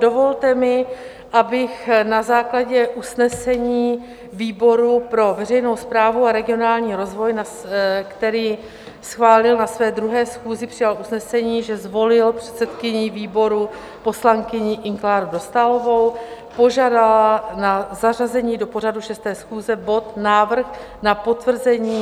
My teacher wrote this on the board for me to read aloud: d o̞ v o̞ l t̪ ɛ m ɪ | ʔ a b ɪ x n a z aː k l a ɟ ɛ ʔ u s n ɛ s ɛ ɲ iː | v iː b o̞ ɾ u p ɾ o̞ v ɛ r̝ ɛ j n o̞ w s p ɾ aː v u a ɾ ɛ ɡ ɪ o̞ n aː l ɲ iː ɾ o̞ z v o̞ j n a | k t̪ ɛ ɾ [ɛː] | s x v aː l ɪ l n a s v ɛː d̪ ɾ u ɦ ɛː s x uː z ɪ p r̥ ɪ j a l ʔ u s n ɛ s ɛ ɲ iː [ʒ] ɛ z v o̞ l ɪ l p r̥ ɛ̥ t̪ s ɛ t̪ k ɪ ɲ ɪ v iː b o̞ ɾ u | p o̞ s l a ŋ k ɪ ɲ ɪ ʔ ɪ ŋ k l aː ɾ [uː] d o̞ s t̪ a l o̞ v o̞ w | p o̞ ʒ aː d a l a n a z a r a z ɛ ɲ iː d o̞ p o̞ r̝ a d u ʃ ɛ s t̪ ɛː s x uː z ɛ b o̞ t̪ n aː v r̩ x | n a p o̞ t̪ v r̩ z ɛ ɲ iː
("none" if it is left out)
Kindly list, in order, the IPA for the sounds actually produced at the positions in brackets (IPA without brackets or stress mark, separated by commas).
iː, ʒ, u